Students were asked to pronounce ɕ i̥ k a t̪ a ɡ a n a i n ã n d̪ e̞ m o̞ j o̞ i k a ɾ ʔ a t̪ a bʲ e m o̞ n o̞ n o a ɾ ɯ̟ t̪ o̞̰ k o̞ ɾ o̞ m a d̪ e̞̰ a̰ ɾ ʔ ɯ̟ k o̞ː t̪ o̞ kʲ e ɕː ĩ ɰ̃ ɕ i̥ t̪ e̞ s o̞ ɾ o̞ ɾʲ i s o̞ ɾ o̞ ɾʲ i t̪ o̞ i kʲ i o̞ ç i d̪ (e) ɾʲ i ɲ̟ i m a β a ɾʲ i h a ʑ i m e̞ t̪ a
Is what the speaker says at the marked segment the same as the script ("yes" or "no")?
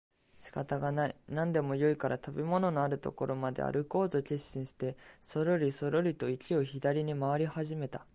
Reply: no